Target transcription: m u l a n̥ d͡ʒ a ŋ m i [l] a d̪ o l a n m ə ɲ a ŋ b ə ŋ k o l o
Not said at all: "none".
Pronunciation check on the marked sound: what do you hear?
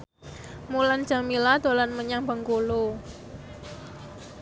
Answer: l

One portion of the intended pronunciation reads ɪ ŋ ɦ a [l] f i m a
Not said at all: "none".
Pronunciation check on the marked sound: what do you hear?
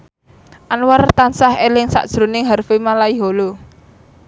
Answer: r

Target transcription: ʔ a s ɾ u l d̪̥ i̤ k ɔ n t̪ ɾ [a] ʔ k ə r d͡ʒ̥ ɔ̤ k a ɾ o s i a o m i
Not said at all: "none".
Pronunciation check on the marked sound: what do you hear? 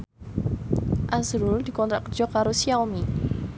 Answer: a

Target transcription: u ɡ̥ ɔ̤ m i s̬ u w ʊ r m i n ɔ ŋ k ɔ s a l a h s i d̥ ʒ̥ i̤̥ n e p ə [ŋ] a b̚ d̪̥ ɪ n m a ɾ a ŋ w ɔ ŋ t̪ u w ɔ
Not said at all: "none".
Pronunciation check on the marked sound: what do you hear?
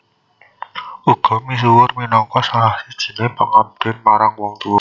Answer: ŋ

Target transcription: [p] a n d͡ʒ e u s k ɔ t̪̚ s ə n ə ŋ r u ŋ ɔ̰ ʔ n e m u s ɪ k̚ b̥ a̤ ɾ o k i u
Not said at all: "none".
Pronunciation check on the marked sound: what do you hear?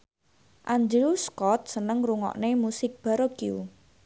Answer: ʔ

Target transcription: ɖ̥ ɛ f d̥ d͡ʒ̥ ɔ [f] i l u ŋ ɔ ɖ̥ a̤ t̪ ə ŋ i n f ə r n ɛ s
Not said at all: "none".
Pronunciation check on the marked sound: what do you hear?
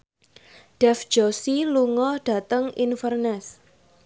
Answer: s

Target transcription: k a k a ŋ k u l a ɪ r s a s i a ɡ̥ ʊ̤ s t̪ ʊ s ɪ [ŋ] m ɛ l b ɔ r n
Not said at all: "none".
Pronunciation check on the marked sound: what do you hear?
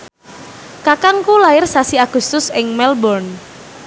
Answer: ŋ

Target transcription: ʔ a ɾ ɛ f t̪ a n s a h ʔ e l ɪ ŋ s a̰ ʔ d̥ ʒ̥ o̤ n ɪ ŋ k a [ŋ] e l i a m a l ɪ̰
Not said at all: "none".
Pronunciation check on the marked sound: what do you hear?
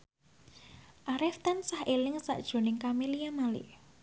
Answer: m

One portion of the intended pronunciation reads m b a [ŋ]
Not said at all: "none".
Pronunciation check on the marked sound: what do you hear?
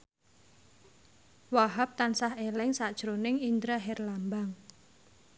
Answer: ŋ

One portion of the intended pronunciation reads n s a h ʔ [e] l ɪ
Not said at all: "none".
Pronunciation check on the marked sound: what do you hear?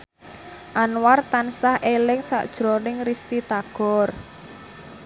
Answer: e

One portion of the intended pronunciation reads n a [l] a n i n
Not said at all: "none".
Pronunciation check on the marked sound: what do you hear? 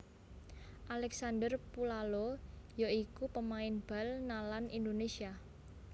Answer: l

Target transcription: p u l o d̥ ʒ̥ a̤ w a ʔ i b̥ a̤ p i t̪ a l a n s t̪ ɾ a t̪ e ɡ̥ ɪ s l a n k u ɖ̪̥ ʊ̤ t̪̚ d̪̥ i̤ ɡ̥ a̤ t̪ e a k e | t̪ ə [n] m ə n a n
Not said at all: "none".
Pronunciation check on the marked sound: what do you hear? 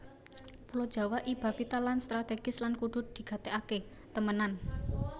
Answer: none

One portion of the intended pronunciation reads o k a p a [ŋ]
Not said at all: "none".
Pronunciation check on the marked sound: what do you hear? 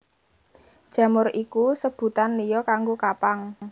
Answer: ŋ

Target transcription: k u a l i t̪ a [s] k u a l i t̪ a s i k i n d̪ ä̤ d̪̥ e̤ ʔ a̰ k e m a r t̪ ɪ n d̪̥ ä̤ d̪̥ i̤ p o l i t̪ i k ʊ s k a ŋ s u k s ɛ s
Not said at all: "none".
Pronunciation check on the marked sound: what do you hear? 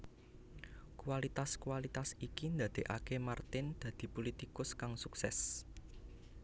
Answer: s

